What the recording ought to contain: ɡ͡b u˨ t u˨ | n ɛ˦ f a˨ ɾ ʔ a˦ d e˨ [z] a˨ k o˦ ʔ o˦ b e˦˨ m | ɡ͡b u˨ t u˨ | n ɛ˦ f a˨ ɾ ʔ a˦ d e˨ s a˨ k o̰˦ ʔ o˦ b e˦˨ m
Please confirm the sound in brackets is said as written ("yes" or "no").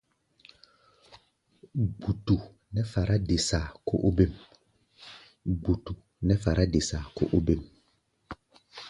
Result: no